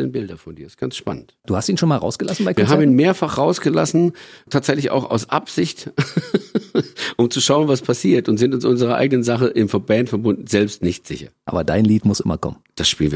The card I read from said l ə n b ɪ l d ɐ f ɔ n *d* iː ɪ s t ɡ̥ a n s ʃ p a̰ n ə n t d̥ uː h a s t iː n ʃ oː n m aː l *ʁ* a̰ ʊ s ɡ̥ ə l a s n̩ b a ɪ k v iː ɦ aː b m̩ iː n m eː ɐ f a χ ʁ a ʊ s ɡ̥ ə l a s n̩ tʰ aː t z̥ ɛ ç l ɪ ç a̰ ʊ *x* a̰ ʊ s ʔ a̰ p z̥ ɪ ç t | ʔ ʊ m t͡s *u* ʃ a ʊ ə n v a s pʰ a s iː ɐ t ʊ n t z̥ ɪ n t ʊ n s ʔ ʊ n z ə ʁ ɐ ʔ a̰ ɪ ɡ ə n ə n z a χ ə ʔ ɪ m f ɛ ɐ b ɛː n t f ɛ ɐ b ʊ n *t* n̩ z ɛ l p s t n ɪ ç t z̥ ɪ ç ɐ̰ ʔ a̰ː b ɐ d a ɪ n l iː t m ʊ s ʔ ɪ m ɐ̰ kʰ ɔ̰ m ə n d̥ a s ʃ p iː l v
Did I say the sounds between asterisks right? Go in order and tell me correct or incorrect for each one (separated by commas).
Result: correct, correct, correct, correct, incorrect